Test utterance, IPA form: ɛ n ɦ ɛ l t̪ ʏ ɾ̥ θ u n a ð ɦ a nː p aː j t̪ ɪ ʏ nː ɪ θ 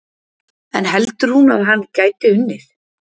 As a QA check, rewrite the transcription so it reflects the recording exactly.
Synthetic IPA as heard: ɛ n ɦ ɛ l t̪ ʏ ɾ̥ h u n a ð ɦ a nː c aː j t̪ ɪ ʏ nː ɪ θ